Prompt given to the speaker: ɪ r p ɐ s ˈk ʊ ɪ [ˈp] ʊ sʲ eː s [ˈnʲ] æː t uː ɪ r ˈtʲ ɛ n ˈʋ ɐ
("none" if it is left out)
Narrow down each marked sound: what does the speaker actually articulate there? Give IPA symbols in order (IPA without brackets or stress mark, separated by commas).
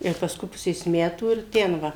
p, mʲ